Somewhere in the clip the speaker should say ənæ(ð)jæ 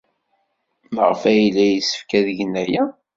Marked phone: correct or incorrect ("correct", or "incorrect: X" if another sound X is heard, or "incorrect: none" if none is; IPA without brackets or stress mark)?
incorrect: none